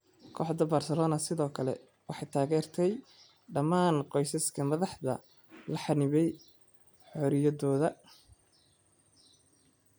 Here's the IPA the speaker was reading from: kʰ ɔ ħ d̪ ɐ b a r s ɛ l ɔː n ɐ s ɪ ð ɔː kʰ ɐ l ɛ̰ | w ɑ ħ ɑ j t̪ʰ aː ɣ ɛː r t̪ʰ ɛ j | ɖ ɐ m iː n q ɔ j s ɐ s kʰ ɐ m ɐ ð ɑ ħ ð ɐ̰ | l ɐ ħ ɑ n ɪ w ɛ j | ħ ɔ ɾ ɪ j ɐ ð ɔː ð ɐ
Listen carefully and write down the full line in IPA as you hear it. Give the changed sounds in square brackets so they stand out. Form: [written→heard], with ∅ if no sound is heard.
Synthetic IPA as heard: kʰ ɔ ħ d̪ ɐ b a r s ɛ l ɔː n ɐ s ɪ ð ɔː kʰ ɐ l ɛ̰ | w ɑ ħ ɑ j t̪ʰ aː ɣ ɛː r t̪ʰ ɛ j | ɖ ɐ m [iː→aː] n q ɔ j s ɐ s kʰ ɐ m ɐ ð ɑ ħ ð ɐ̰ | l ɐ ħ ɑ n ɪ [w→β] ɛ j | ħ ɔ ɾ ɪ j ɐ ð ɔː ð ɐ